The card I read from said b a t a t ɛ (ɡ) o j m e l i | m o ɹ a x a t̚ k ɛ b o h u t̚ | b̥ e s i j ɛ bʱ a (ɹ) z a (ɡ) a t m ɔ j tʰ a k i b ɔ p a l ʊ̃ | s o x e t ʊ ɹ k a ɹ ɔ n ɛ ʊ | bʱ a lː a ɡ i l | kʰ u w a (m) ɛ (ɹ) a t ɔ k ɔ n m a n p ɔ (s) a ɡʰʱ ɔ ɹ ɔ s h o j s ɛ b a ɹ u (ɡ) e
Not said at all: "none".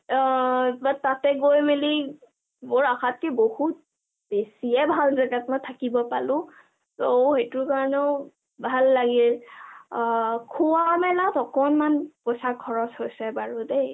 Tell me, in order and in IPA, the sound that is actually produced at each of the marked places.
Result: ɡ, l, ɡ, m, l, s, d

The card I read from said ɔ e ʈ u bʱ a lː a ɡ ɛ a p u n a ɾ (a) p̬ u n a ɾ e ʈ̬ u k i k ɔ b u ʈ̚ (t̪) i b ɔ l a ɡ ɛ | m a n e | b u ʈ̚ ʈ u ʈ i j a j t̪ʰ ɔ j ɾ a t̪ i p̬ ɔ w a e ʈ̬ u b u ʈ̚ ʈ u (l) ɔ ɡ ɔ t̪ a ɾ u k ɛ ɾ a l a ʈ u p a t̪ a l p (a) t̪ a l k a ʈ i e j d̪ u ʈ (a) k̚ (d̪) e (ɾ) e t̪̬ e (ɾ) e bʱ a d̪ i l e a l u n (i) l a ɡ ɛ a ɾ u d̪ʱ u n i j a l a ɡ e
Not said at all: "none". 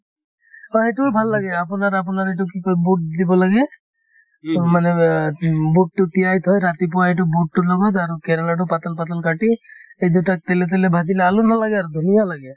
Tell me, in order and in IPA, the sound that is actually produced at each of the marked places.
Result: a, d̪, l, a, a, t̪, l, l, a

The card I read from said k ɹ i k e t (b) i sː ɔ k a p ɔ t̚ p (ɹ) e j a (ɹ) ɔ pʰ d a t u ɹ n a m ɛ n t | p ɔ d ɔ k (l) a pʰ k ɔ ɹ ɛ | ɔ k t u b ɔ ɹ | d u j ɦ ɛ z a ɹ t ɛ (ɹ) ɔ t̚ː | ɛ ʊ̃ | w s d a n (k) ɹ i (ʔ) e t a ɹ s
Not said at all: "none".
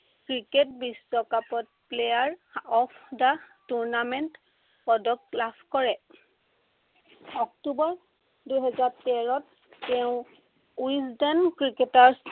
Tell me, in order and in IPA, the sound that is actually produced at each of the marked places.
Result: b, l, ɹ, l, ɹ, k, k

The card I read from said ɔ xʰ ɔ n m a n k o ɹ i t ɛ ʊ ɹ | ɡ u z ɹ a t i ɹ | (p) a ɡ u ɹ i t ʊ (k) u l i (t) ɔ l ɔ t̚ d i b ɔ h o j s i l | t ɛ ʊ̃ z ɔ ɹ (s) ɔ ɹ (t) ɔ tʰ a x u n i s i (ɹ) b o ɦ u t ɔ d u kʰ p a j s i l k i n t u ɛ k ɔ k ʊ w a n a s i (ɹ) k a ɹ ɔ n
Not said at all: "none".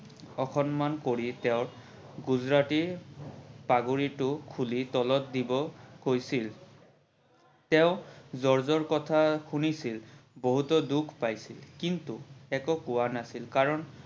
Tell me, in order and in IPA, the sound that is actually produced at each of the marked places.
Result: p, kʰ, t, z, k, l, l

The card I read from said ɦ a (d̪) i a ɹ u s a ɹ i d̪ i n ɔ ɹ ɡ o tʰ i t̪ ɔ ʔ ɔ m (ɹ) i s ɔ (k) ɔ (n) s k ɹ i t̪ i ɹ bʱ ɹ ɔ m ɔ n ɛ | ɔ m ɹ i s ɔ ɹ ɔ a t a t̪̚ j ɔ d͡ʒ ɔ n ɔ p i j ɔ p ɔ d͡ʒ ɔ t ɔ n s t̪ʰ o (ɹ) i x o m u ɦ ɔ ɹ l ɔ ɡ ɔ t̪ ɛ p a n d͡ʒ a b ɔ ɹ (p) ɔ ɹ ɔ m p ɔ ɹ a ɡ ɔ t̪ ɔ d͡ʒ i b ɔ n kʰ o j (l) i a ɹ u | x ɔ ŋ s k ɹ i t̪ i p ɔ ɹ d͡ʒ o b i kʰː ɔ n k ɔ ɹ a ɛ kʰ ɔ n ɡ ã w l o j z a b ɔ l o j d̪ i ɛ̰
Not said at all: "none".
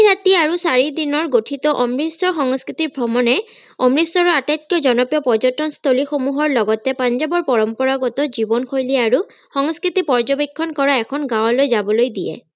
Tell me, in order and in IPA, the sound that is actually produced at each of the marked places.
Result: t̪, ɹ, x, ŋ, l, p, l

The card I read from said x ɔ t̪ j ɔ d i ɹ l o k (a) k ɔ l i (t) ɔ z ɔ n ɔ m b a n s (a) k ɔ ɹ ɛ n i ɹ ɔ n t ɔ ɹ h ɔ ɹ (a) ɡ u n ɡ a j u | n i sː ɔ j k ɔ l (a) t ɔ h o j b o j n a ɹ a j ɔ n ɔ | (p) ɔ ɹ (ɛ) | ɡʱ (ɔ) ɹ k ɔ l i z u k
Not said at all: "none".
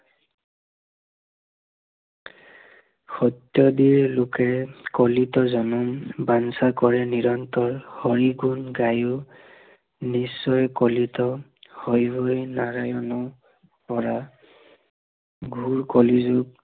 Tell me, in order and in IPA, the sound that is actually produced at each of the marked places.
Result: ɛ, t, a, i, i, p, a, u

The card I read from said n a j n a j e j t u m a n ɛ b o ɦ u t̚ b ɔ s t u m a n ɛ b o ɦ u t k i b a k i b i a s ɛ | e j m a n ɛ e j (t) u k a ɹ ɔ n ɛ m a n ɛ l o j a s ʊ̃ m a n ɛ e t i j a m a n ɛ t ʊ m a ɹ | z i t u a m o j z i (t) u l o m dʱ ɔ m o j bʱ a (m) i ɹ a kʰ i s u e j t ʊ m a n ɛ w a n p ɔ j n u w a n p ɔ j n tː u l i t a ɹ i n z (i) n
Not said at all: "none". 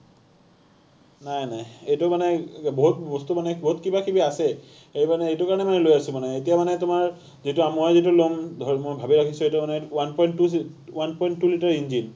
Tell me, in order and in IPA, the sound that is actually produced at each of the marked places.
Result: t, t, b, i

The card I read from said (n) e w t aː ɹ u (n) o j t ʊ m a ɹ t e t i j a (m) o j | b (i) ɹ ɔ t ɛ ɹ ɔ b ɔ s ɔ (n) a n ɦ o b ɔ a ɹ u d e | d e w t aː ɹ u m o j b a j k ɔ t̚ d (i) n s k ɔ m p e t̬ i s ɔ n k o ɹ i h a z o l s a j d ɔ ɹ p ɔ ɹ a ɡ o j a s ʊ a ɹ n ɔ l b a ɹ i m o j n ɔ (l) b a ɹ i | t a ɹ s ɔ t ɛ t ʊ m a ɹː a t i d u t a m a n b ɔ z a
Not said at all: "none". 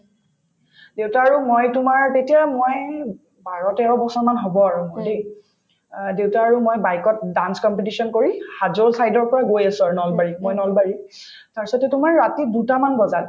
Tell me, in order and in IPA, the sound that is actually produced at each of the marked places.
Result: d, m, m, a, m, a, l

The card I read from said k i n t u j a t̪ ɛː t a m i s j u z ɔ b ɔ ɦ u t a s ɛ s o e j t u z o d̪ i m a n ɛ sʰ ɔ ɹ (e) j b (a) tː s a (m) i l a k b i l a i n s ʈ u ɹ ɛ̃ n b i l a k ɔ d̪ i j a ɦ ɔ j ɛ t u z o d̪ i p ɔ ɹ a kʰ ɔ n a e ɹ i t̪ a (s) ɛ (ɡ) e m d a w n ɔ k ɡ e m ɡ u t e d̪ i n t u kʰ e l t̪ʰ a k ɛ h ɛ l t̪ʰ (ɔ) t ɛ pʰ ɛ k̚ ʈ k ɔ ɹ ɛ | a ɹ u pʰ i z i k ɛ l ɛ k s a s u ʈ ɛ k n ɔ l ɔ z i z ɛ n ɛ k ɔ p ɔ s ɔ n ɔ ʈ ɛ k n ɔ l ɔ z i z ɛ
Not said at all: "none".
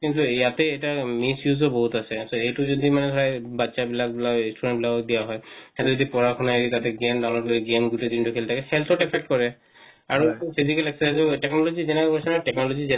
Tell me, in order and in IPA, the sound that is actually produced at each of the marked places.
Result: a, a, b, t, ɡ, ɔ

